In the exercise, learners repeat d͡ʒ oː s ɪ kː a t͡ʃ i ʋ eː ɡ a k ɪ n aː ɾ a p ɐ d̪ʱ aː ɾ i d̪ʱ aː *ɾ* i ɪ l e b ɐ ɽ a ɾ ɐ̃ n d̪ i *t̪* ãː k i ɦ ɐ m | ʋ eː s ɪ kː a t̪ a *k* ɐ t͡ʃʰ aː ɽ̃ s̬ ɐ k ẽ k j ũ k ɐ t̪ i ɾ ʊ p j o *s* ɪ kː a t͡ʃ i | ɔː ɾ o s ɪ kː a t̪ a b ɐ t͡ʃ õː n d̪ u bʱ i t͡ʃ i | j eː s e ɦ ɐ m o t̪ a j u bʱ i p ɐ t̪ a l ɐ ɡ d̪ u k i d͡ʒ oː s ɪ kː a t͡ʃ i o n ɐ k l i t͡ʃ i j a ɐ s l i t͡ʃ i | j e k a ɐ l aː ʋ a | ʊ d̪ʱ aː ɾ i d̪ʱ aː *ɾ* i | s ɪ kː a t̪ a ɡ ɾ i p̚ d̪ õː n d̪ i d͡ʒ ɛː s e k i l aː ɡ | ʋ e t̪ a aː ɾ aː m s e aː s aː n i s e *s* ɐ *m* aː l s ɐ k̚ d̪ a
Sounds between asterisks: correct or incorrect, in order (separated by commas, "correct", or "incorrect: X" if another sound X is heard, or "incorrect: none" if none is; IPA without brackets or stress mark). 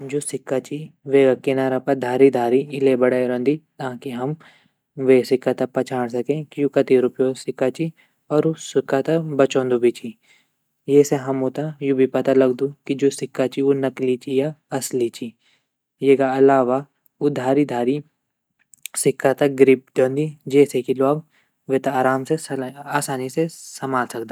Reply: correct, correct, incorrect: p, correct, correct, correct, correct